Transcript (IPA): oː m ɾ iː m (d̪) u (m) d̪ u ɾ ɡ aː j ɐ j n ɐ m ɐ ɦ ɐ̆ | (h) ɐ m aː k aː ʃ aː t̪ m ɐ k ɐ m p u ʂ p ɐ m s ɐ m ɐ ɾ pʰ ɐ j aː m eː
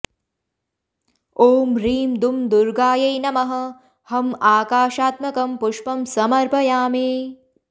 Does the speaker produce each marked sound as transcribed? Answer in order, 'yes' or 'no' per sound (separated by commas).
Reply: yes, yes, yes